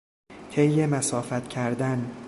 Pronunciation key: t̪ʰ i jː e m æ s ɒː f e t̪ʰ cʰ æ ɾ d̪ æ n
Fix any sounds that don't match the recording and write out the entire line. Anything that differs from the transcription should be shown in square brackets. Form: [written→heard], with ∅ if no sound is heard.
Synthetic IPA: t̪ʰ [i→e] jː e m æ s ɒː f [e→æ] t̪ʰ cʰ æ ɾ d̪ æ n